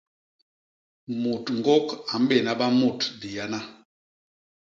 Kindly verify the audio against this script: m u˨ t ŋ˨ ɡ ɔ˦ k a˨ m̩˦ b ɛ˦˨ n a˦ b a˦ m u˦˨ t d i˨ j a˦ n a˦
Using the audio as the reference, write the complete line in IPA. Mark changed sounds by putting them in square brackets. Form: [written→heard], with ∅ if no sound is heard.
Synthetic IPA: m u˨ t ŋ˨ ɡ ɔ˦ k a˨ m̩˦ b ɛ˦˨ n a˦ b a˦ m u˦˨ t d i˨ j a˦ n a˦